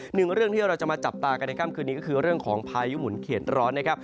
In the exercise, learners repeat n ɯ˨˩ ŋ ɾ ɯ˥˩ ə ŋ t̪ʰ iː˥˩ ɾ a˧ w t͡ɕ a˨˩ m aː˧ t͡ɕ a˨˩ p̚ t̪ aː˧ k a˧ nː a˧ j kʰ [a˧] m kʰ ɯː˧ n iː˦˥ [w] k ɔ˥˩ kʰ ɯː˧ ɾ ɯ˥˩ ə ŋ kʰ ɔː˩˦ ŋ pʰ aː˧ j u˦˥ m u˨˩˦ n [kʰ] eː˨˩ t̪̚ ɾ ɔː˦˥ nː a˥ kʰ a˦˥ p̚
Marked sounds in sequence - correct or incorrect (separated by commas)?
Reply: incorrect, incorrect, correct